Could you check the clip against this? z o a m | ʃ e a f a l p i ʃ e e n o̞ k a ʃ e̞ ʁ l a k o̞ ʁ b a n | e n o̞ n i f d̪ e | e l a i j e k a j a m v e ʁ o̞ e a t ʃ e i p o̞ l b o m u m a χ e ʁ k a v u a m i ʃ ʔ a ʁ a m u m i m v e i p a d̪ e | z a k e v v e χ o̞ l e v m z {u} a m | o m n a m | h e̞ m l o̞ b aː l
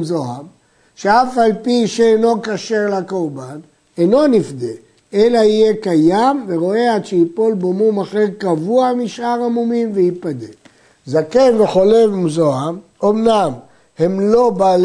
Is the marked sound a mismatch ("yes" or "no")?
yes